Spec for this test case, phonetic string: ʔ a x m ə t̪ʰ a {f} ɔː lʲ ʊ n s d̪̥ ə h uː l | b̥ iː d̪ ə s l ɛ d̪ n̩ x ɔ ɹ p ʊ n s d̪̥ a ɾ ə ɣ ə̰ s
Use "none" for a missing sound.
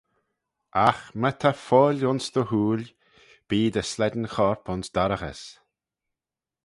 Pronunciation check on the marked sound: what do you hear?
f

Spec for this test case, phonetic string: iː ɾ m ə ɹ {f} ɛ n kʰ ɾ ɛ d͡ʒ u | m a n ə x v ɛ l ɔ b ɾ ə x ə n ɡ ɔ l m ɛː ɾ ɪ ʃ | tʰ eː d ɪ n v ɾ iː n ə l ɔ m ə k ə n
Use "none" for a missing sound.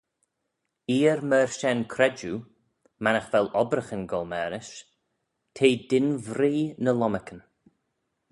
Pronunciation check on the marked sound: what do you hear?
ʃ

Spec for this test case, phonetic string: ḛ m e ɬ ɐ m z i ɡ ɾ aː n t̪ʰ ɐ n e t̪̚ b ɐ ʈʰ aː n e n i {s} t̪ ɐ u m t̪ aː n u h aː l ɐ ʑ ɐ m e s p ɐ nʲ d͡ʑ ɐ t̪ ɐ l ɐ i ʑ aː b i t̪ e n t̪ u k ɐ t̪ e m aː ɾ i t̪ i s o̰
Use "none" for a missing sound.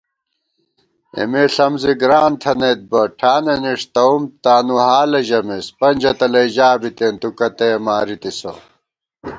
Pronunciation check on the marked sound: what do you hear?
ʂ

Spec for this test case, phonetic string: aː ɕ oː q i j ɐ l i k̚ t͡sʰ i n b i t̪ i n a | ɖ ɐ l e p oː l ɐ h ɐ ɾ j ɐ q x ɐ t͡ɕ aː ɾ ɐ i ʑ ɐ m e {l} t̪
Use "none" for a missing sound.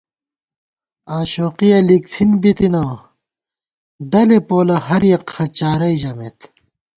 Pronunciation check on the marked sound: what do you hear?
none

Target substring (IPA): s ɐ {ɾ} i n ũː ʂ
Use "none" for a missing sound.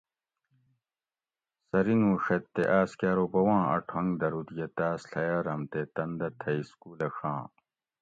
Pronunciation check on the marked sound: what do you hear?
ɾ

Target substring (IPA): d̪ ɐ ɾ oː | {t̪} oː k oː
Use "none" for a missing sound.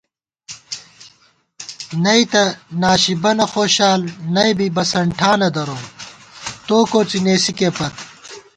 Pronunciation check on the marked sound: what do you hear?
t̪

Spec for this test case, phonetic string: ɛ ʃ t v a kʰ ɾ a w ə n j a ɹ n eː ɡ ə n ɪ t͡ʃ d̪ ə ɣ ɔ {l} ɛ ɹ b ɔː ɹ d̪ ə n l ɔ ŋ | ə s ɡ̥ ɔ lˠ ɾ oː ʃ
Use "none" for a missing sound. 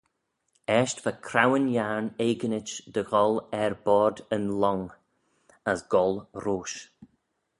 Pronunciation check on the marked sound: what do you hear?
l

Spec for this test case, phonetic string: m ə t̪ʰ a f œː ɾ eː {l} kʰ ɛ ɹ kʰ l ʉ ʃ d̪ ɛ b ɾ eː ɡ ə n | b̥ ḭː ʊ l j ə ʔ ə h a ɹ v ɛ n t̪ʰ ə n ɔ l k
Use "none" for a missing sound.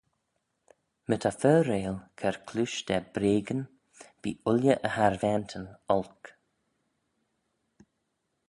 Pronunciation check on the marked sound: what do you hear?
l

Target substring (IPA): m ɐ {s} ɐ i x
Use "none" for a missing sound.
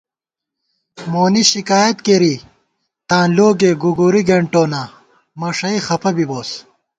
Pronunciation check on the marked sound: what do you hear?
ʂ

